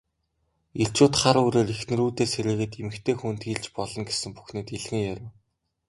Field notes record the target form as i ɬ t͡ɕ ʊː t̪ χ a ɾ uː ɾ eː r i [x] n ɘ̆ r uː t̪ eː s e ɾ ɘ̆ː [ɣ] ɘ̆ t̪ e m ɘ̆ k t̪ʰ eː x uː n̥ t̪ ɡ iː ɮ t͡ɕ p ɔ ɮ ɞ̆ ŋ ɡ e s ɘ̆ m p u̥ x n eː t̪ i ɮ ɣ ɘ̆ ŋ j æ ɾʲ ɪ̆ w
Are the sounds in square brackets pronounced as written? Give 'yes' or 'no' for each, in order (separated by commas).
yes, yes